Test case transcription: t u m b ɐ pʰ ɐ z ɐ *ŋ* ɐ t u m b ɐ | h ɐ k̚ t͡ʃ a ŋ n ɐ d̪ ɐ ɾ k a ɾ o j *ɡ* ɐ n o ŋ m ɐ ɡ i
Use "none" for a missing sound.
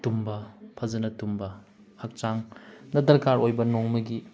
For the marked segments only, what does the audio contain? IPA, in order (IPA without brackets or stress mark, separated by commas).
n, b